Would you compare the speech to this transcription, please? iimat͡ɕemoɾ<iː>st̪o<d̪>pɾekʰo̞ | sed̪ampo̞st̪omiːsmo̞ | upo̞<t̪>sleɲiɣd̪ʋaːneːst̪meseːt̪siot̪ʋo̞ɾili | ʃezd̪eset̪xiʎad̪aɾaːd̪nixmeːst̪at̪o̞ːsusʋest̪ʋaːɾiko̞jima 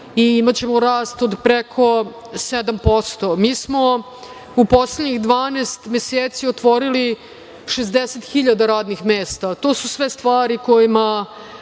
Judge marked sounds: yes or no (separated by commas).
no, yes, no